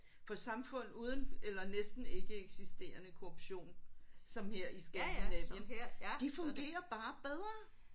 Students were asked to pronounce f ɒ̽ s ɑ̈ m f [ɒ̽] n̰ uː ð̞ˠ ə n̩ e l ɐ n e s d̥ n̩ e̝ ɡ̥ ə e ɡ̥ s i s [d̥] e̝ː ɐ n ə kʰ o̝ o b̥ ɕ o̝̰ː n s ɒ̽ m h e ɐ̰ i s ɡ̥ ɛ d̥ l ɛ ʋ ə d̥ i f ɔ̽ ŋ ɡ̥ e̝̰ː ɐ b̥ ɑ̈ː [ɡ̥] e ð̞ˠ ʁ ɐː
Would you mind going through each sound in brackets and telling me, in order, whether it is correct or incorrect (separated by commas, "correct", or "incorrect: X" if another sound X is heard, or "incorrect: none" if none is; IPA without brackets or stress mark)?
incorrect: ɔ̽, correct, incorrect: b̥